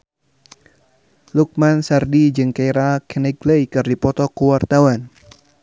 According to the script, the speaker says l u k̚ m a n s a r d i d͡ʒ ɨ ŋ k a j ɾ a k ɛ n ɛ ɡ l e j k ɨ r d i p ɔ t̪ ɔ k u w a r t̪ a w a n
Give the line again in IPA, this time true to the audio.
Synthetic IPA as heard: l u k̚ m a n s a r d i d͡ʒ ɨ ŋ k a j ɾ a k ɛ n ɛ ɡ l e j k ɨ r d i p ɔ t̪ ɔ k u w a r t̪ a w a n